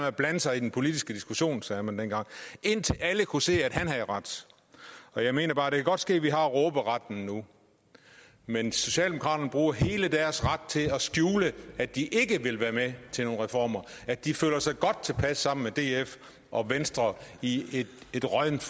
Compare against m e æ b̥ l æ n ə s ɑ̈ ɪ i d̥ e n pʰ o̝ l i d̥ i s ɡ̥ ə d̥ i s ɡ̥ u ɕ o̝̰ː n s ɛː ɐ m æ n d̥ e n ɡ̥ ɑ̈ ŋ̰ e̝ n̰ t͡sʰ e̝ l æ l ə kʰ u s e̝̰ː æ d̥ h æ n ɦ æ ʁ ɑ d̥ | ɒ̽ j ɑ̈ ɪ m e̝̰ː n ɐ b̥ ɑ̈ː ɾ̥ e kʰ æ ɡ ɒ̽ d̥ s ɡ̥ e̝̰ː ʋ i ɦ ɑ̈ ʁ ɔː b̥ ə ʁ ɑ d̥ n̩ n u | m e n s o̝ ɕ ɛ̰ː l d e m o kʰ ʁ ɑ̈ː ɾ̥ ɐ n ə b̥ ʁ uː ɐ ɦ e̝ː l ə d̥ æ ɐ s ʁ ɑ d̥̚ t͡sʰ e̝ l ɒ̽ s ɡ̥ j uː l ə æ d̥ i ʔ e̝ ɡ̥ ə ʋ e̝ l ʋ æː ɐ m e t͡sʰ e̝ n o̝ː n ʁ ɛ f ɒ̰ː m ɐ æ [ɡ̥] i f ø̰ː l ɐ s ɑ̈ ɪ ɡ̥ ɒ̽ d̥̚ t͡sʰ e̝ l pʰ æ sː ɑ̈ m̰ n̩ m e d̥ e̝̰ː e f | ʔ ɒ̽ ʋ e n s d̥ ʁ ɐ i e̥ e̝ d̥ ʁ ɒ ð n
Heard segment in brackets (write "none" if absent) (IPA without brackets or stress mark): d̥